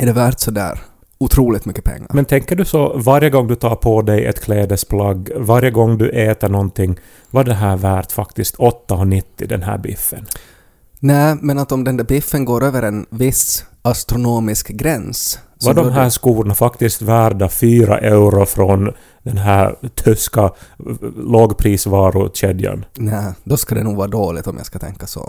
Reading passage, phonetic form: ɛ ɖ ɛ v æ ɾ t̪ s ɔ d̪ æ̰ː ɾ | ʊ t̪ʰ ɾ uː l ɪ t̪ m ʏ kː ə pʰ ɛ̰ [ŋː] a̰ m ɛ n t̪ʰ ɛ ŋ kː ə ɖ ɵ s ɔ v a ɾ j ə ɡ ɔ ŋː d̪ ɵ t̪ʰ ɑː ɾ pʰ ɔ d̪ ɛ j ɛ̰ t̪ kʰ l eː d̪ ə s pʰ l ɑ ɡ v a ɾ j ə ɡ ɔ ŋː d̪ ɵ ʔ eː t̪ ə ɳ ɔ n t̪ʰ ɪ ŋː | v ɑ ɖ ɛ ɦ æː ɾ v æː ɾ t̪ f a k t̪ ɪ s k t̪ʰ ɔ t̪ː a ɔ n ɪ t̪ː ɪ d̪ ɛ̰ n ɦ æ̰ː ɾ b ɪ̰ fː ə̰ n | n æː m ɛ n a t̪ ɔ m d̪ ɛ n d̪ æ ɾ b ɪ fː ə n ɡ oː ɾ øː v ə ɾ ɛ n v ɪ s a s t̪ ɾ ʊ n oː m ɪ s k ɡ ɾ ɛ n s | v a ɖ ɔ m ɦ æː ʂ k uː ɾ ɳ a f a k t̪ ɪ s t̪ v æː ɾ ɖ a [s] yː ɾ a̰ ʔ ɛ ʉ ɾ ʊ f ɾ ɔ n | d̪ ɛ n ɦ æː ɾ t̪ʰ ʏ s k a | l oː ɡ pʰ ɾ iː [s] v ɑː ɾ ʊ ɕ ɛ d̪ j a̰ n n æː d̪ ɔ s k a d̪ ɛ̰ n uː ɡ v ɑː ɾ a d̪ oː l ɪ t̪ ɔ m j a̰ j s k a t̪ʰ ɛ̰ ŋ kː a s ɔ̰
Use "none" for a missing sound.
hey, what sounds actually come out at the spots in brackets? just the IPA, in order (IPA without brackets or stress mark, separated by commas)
ŋː, f, s